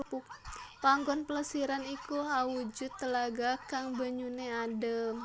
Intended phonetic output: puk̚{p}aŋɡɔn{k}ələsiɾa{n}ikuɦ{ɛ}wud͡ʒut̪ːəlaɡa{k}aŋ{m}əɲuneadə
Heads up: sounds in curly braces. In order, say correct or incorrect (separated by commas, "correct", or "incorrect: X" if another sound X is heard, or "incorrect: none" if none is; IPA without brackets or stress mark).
correct, incorrect: p, correct, incorrect: a, correct, incorrect: b